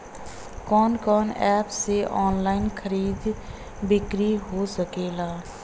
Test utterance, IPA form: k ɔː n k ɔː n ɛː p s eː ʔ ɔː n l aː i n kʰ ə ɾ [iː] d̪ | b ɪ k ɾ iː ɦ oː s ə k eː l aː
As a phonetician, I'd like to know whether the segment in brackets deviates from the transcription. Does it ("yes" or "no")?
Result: no